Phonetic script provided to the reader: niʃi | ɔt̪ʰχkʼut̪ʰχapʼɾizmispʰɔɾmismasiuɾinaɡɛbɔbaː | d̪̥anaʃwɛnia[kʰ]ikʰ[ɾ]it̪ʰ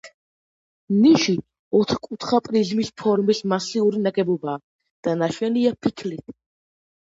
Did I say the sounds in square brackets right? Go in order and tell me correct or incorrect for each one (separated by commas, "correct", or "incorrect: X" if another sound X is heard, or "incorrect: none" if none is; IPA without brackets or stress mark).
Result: incorrect: pʰ, incorrect: l